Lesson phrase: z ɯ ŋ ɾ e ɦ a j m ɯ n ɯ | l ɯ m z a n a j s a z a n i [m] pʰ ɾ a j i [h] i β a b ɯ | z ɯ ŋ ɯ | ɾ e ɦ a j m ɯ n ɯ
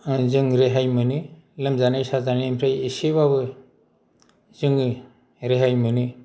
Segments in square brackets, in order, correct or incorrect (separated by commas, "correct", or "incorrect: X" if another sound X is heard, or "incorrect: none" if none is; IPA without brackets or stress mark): correct, incorrect: s